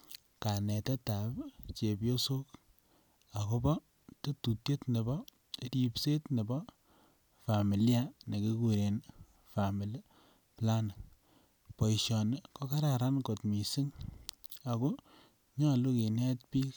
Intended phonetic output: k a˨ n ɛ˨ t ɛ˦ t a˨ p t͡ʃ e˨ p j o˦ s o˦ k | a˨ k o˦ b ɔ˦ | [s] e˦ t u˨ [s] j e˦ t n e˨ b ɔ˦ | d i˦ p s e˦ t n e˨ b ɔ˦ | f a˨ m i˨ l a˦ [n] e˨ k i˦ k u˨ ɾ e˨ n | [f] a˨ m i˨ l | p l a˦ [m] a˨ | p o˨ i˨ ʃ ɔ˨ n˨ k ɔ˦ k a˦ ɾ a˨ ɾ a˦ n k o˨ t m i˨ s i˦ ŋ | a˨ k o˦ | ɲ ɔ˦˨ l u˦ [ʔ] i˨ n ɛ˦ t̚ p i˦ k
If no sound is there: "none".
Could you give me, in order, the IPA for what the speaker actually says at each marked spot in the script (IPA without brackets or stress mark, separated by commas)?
t, t, n, f, n, k